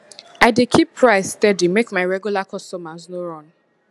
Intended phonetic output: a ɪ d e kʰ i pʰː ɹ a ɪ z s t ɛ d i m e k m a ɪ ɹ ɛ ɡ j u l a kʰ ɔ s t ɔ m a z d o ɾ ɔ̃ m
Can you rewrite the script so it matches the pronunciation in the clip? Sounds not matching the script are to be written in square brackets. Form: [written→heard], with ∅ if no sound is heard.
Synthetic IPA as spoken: a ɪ d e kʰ i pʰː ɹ a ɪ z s t ɛ d i m e k m a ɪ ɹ ɛ ɡ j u l a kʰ ɔ s t ɔ m a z [d→n] o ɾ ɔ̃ [m→n]

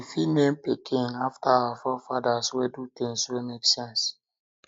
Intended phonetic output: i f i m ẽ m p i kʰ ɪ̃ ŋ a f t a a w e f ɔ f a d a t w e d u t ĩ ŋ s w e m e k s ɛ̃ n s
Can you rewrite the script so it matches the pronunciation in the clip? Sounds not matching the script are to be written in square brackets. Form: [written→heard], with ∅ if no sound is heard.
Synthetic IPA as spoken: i f i [m→n] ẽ m p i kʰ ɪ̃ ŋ a f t a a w [e→a] f ɔ f a d a [t→s] w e d u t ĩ ŋ s w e m e k s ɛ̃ n s

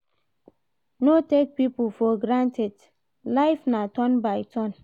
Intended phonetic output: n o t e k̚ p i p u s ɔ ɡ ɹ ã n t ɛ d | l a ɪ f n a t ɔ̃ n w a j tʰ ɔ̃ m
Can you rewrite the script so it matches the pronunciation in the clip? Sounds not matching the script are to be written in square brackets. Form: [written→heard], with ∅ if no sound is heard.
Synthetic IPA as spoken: n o t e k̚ p i p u [s→f] ɔ ɡ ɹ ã n t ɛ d | l a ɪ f n a t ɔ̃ n [w→b] a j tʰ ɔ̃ [m→n]

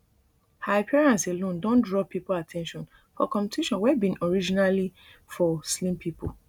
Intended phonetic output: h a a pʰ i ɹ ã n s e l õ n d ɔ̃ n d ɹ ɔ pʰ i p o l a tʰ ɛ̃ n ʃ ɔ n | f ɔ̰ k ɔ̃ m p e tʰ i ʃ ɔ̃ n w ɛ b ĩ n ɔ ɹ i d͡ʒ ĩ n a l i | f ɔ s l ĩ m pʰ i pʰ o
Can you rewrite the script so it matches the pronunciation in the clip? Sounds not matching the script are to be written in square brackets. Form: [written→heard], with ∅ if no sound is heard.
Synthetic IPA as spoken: h a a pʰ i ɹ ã n s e l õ n d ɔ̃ n d ɹ ɔ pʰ i p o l a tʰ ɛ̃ n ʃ [ɔ→ɔ̃] n | f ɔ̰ k ɔ̃ m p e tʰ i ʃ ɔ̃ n w ɛ b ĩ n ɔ ɹ i d͡ʒ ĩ n a l i | f ɔ s l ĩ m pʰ i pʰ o

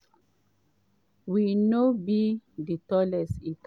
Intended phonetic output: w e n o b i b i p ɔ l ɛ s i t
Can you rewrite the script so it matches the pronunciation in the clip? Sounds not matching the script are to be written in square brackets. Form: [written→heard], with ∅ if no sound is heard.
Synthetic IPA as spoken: w [e→i] n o b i [b→d] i [p→t] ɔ l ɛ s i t

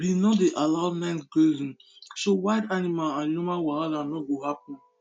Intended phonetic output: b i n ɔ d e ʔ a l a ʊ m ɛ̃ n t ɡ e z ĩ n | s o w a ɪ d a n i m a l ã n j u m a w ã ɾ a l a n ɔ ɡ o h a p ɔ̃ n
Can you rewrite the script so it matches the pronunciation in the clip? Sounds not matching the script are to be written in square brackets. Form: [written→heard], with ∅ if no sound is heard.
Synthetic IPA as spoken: b i n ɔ d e ʔ a l a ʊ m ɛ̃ n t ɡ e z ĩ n | s o w a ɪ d a n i m a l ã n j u m a w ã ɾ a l a n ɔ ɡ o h a p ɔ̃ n

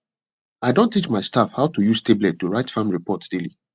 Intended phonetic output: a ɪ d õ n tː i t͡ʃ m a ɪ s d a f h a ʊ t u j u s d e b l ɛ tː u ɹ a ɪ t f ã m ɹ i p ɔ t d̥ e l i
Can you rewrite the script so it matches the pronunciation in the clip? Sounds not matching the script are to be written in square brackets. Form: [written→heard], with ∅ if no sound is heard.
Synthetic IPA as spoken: a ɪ d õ n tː i t͡ʃ m a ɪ s [d→t] a f h a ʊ t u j u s [d→t] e b l ɛ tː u ɹ a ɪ t f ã m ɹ i p ɔ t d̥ e l i

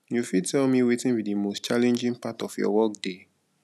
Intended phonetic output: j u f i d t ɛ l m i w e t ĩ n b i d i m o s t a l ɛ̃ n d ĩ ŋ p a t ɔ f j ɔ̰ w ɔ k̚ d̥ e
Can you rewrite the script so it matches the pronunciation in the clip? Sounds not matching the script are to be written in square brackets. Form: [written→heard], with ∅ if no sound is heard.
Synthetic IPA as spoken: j u f i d t ɛ l m i w e t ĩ n b i d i m o s [t→t͡ʃ] a l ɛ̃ n [d→d͡ʒ] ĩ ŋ p a t ɔ f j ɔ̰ w ɔ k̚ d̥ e

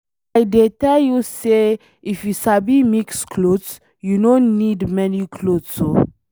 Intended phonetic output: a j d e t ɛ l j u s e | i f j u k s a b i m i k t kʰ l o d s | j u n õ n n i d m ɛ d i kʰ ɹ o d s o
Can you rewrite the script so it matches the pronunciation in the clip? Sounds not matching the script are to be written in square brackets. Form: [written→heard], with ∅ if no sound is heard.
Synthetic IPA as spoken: a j d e t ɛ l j u s e | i f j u [k→∅] s a b i m i k [t→s] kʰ l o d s | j u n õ n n i d m ɛ [d→n] i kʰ [ɹ→l] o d s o

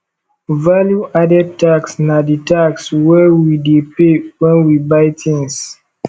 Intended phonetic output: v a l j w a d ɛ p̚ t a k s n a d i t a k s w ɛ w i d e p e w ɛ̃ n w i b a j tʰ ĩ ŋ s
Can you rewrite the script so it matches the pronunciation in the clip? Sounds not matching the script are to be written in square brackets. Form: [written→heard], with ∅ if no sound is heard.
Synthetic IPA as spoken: v a l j [w→u] a d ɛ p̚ t a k s n a d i t a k s w ɛ w i d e p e w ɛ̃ n w i b a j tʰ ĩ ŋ s

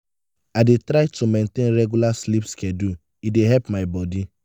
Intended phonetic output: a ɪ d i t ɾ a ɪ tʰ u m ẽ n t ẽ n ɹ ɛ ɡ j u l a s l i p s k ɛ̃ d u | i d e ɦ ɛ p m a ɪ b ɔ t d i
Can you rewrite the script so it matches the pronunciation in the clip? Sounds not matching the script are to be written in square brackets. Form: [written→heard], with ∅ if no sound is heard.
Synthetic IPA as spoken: a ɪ d [i→e] t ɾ a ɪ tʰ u m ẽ n t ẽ n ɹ ɛ ɡ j u l a s l i p s k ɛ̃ d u | i d e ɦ ɛ p m a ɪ b ɔ [t→∅] d i

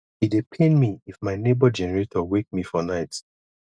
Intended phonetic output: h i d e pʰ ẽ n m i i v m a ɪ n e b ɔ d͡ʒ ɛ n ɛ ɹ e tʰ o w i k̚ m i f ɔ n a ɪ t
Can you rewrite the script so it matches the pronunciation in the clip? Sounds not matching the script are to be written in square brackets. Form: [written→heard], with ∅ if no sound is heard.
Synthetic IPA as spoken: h i d e pʰ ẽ n m i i [v→f] m a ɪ n e b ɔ d͡ʒ ɛ n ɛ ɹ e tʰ [o→ɔ] w [i→e] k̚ m i f ɔ n a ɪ t

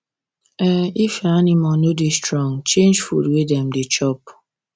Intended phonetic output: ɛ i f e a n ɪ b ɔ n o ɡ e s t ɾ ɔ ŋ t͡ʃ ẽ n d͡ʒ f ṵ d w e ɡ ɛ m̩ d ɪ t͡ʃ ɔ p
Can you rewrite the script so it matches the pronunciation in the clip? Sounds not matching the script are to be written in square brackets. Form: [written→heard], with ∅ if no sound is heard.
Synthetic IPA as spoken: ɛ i f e a n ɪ [b→m] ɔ n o [ɡ→d] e s t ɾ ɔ ŋ t͡ʃ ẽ n d͡ʒ f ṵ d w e [ɡ→d] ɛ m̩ d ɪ t͡ʃ ɔ p

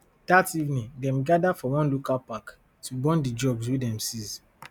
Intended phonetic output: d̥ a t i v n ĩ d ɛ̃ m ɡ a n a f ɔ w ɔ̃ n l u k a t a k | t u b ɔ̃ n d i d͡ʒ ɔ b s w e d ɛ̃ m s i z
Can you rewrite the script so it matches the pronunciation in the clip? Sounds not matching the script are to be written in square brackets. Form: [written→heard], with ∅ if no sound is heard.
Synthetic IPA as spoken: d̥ a t i v n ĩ d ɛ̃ m ɡ a [n→d] a f ɔ w ɔ̃ n l u k a [t→p] a k | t u b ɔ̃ n d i d͡ʒ ɔ b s w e d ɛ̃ m s i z

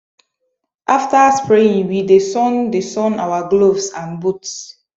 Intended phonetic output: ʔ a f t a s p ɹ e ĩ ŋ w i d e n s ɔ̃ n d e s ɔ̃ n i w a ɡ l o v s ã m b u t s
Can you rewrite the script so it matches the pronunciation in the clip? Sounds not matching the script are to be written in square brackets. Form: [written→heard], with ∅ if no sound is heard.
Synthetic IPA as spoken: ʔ a f t a s p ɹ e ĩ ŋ w i d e [n→∅] s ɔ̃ n d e s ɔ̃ n [i→a] w a ɡ l o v s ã [m→n] b u t s

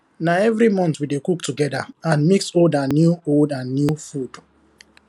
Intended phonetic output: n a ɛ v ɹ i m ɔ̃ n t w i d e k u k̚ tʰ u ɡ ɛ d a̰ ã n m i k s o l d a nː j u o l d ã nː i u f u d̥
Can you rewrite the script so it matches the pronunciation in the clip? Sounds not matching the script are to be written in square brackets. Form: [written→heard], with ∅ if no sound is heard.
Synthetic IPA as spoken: n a ɛ v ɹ i m ɔ̃ n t w i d e k u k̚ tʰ u ɡ ɛ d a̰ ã n m i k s o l d a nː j u o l d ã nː [i→j] u f u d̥

